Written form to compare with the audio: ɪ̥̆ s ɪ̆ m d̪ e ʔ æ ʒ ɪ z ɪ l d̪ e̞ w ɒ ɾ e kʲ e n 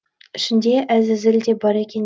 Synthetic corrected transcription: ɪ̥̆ ʃ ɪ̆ n d̪ e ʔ æ z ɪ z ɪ l d̪ e̞ b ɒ ɾ e kʲ e n